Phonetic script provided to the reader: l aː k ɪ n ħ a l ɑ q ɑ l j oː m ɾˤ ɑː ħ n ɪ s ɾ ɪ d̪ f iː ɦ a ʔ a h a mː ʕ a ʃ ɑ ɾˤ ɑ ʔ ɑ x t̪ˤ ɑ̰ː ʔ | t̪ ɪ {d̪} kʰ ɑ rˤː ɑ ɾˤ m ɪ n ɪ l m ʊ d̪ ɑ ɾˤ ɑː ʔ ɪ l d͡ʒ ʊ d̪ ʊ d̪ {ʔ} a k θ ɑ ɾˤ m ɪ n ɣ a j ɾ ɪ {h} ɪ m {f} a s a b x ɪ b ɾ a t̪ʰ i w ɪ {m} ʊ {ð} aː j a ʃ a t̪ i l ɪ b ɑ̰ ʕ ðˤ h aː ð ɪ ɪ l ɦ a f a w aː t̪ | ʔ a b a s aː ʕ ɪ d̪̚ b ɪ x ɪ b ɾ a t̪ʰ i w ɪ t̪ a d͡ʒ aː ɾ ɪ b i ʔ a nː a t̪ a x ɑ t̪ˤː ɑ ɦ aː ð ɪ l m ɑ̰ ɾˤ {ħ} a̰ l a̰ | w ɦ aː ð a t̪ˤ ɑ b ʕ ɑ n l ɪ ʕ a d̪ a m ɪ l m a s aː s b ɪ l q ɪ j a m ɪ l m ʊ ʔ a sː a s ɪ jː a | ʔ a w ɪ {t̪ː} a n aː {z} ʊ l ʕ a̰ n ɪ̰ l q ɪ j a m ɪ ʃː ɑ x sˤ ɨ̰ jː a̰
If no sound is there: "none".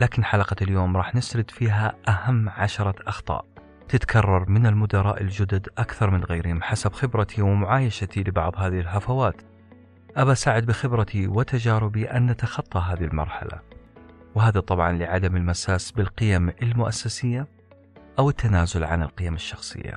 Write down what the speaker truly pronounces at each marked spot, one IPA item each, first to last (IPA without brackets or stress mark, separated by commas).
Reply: t̪, ʔ, h, ħ, m, ʕ, ħ, t̪ː, z